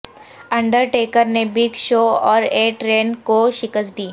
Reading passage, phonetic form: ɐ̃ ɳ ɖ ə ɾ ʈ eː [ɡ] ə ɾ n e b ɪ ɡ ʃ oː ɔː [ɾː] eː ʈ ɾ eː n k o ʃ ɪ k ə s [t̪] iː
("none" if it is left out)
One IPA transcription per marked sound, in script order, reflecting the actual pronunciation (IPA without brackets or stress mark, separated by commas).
k, ɾ, d̪